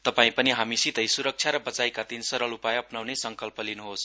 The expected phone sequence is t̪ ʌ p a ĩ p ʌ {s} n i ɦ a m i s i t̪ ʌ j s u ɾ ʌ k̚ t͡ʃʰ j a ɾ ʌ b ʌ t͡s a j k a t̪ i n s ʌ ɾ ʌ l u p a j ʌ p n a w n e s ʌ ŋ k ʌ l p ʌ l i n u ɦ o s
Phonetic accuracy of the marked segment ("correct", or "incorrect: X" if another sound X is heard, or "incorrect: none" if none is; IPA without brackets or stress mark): incorrect: none